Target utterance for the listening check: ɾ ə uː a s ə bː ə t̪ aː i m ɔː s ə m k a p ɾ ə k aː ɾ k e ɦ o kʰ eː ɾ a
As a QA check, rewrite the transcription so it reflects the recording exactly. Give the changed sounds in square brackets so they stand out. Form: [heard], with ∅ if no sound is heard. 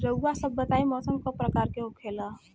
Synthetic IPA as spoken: ɾ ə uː a s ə bː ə t̪ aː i m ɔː s ə m k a p ɾ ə k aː ɾ k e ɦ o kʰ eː [l] a